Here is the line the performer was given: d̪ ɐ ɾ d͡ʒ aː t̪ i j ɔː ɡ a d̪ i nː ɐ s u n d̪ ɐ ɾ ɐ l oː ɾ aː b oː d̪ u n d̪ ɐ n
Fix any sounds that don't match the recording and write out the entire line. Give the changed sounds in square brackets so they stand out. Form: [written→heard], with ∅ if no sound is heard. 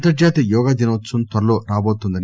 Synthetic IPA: [d̪→t̪] ɐ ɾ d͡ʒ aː t̪ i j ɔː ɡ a d̪ i [nː→n] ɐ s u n [d̪→t̪] ɐ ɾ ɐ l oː ɾ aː b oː [d̪→t̪] u n d̪ ɐ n